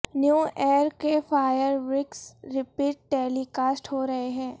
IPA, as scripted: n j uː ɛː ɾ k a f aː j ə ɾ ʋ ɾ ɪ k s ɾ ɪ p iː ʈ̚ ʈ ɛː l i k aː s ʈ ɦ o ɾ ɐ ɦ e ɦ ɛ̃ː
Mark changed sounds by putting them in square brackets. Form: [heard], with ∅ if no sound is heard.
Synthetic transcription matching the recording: n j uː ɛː ɾ k [e] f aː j ə ɾ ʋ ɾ ɪ k s ɾ ɪ p iː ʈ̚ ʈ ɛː l i k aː s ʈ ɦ o ɾ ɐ ɦ e ɦ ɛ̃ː